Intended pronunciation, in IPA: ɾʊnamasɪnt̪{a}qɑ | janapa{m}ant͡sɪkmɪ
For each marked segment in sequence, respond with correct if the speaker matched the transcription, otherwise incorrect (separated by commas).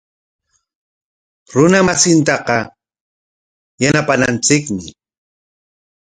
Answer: incorrect, incorrect